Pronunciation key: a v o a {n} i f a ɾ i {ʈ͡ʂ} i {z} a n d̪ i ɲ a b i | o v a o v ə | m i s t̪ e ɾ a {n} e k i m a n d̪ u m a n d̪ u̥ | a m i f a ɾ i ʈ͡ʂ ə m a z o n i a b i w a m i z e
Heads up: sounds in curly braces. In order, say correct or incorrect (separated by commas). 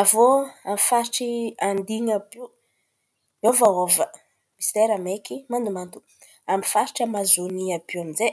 incorrect, correct, incorrect, incorrect